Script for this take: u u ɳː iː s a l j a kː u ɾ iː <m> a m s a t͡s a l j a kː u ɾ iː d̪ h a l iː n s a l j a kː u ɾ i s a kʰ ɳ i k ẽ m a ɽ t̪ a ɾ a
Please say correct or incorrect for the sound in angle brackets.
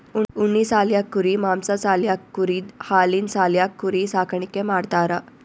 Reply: correct